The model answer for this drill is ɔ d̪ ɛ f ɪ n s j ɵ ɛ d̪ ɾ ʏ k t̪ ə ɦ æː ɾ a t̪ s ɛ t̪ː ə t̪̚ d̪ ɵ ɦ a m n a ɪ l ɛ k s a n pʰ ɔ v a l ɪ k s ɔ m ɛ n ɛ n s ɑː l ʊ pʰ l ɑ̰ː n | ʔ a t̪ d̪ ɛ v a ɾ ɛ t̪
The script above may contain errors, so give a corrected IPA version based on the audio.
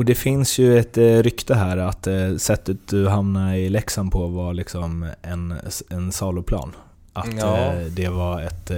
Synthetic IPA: ɔ d̪ ɛ f ɪ n s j ɵ ɛ t̪ ɾ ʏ k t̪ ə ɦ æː ɾ a t̪ s ɛ t̪ː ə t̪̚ d̪ ɵ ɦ a m n a ɪ l ɛ k s a n pʰ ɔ v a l ɪ k s ɔ m ɛ n ɛ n s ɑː l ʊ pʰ l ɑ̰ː n | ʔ a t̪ d̪ ɛ v a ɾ ɛ t̪